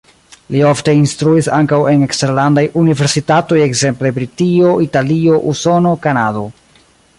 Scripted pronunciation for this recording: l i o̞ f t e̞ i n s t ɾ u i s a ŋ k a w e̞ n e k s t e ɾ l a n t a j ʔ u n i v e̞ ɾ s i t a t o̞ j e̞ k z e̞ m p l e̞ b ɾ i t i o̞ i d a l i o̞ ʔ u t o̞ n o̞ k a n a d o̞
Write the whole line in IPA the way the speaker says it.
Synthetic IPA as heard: l i o̞ f t e̞ i n s t ɾ u i s a ŋ k a w e̞ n e k s t e ɾ l a n d a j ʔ u n i v e̞ ɾ s i t a t o̞ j e̞ k z e̞ m p l e̞ b ɾ i t i o̞ i t a l i o̞ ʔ u s o̞ n o̞ k a n a d o̞